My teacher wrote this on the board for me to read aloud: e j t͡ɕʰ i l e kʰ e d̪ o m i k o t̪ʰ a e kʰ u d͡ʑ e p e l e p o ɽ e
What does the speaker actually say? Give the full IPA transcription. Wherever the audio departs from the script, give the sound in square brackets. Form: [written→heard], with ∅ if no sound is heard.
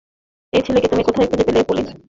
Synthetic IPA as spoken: e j t͡ɕʰ [i→e] l e [kʰ→k] e [d̪→t̪] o m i k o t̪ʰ a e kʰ u d͡ʑ e p e l e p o [ɽ→l] e